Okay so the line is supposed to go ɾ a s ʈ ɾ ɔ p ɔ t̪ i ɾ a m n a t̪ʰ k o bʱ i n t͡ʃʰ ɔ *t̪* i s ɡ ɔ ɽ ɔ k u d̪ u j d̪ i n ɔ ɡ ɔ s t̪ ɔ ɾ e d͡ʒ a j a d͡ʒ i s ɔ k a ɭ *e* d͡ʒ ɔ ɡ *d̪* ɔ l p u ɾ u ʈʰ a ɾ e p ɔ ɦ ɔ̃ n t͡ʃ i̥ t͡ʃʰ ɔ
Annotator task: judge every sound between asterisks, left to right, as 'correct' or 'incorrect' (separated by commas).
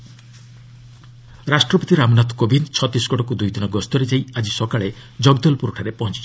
correct, correct, correct